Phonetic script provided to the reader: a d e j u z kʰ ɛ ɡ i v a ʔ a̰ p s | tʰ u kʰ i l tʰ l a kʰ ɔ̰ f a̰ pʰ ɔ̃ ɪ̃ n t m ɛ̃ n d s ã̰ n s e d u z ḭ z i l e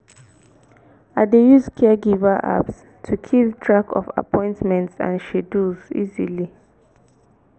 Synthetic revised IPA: a d e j u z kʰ ɛ ɡ i v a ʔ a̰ p s | tʰ u kʰ i l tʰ ɹ a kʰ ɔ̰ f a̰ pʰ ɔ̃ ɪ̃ n t m ɛ̃ n t s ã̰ n ʃ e d u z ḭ z i l i